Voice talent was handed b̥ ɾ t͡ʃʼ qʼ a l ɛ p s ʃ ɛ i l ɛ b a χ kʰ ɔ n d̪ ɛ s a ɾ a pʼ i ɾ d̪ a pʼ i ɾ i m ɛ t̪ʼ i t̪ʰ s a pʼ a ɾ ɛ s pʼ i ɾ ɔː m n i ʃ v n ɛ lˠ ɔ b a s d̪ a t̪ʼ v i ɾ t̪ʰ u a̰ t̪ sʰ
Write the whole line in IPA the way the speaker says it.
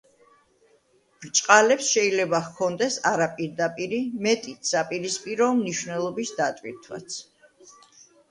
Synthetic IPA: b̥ ɾ t͡ʃʼ qʼ a l ɛ p s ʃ ɛ i l ɛ b a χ kʰ ɔ n d̪ ɛ s a ɾ a pʼ i ɾ d̪ a pʼ i ɾ i m ɛ t̪ʼ i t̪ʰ s a pʼ i ɾ i s pʼ i ɾ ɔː m n i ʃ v n ɛ lˠ ɔ b i s d̪ a t̪ʼ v i ɾ t̪ʰ w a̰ t̪ sʰ